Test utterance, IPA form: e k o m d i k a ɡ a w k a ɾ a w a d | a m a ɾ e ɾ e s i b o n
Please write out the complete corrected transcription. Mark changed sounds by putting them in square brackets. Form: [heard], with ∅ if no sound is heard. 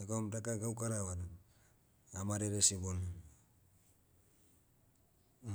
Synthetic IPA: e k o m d [a] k a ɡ a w k a ɾ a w a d | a m a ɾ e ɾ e s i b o n